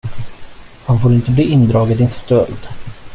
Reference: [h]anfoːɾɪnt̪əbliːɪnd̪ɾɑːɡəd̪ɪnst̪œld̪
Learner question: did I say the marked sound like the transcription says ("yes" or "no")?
yes